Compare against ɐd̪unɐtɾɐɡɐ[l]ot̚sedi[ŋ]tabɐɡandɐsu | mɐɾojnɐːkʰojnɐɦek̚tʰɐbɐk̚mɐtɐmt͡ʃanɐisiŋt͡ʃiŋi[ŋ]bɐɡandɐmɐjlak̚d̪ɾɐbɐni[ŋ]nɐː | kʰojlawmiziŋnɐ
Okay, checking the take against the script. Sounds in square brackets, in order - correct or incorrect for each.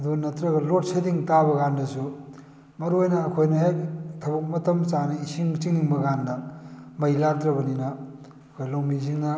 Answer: correct, correct, correct, incorrect: none

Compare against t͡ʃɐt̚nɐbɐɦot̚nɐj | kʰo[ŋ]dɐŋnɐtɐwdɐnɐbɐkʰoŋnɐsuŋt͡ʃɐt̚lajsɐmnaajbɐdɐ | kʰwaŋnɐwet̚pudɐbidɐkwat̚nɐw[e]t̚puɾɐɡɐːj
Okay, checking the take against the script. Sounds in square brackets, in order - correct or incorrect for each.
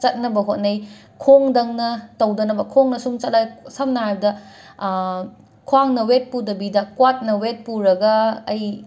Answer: correct, correct

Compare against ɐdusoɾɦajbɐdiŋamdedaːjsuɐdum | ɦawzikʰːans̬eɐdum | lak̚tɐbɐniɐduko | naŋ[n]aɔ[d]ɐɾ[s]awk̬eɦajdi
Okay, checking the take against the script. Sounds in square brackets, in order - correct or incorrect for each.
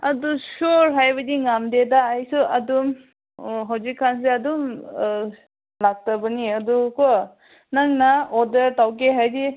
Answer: correct, correct, incorrect: t

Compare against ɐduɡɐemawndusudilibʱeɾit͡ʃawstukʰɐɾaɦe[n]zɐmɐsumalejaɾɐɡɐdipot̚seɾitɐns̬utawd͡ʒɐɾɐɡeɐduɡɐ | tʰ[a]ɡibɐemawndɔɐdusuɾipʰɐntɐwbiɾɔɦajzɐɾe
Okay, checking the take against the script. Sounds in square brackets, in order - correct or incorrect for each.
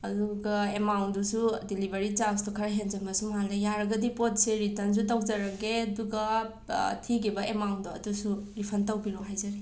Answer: correct, incorrect: i

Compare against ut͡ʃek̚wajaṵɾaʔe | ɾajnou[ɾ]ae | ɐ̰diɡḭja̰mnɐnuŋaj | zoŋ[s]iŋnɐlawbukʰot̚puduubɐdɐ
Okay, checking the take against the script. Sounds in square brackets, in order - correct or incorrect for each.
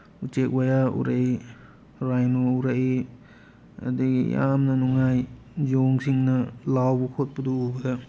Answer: correct, correct

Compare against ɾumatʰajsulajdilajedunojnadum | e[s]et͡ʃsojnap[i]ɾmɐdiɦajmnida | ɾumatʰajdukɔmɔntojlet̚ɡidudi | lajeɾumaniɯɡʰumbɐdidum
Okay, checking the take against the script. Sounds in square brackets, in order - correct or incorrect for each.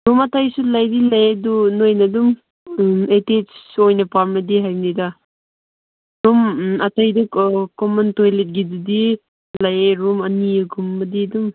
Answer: incorrect: t, incorrect: a

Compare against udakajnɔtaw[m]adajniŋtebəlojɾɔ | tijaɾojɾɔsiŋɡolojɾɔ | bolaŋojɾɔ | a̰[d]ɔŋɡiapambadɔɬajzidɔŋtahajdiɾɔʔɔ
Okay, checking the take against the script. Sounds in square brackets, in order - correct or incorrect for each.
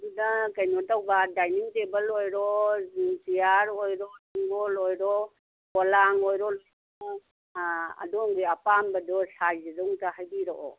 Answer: incorrect: b, correct

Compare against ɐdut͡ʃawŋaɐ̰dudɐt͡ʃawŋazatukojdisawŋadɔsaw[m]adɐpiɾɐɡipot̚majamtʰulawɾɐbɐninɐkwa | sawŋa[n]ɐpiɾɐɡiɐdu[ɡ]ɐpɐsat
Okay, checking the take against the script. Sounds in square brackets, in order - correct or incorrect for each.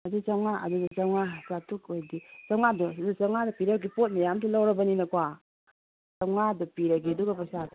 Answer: incorrect: ŋ, incorrect: d, correct

